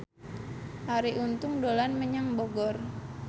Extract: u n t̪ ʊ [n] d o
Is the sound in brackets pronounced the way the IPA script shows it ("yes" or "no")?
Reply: no